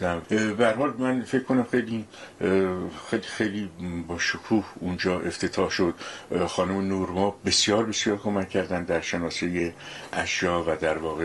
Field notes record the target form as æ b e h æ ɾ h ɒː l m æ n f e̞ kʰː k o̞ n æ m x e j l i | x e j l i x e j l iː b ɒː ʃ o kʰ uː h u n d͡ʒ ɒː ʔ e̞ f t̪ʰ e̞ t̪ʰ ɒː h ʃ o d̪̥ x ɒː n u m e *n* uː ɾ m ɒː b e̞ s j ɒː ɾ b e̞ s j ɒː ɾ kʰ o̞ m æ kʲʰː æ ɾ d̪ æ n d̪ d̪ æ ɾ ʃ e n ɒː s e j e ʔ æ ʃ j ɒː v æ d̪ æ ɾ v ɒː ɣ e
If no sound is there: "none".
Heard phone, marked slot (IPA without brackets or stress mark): n